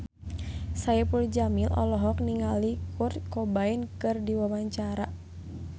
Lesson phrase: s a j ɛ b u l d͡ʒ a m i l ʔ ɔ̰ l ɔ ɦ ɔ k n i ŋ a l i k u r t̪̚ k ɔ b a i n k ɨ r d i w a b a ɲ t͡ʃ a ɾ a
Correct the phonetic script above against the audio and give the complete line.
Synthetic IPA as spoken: s a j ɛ p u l d͡ʒ a m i l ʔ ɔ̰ l ɔ ɦ ɔ k n i ŋ a l i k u r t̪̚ k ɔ b a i n k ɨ r d i w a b a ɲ t͡ʃ a ɾ a